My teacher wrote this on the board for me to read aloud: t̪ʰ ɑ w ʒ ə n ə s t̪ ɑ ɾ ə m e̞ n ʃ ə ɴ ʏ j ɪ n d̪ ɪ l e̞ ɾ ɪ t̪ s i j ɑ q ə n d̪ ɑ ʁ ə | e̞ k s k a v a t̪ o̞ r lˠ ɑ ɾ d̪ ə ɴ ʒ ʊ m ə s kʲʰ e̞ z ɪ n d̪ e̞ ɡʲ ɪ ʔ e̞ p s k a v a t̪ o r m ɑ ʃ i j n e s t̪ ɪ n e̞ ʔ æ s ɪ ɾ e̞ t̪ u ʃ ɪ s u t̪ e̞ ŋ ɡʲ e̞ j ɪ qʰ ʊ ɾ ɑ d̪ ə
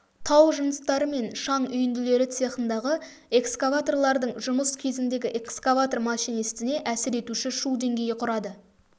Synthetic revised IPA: t̪ʰ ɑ w ʒ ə n ə s t̪ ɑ ɾ ə m e̞ n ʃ ɑ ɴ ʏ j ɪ n d̪ ɪ l e̞ ɾ ɪ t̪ s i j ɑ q ə n d̪ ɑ ʁ ə | e̞ k s k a v a t̪ o̞ r lˠ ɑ ɾ d̪ ə ɴ ʒ ʊ m ə s kʲʰ e̞ z ɪ n d̪ e̞ ɡʲ ɪ ʔ e̞ k s k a v a t̪ o r m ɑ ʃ i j n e s t̪ ɪ n e̞ ʔ æ s ɪ ɾ e̞ t̪ u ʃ ɪ ʃ u d̪ e̞ ŋ ɡʲ e̞ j ɪ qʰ ʊ ɾ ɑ d̪ ə